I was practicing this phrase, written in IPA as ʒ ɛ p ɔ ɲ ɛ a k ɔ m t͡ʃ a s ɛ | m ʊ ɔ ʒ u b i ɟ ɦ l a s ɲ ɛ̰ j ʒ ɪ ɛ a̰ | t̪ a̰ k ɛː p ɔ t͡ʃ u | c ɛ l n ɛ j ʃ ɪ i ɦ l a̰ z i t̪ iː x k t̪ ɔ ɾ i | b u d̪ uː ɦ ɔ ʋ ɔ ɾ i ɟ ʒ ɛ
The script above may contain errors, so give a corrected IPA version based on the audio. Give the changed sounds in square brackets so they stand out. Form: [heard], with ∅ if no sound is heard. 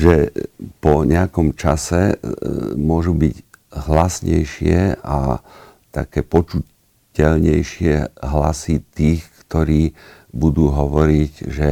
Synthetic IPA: ʒ ɛ p ɔ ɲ ɛ a k ɔ m t͡ʃ a s ɛ | m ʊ ɔ ʒ u b i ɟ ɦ l a s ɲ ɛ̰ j [ʃ] ɪ ɛ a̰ | t̪ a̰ k ɛː p ɔ t͡ʃ u | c ɛ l [ɲ] ɛ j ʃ ɪ [ɛ] ɦ l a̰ [s] i t̪ iː x k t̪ ɔ ɾ [iː] | b u d̪ uː ɦ ɔ ʋ ɔ ɾ i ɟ ʒ ɛ